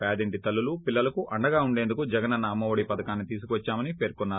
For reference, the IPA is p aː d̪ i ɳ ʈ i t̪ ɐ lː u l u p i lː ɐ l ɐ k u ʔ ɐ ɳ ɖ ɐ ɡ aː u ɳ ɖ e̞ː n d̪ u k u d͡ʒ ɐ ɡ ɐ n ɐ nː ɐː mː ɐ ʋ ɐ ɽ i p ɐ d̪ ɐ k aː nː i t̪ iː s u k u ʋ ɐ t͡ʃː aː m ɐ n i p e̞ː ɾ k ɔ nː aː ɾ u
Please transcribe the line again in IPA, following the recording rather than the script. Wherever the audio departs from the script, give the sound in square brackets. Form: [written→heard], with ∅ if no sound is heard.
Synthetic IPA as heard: p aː d̪ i ɳ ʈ i t̪ ɐ lː u l u p i lː ɐ l ɐ k u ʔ ɐ ɳ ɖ ɐ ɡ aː u ɳ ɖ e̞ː n d̪ u k u d͡ʒ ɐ ɡ ɐ n ɐ nː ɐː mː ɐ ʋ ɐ ɽ i p ɐ d̪ ɐ k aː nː i t̪ iː s u k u ʋ ɐ t͡ʃː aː m ɐ n i p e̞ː ɾ k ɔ nː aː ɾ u